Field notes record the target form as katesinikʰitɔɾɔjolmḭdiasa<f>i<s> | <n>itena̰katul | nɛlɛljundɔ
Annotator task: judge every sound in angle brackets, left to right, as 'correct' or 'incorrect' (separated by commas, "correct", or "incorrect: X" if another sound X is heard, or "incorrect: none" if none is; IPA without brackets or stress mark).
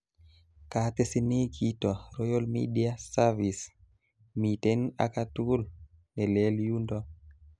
incorrect: v, correct, incorrect: m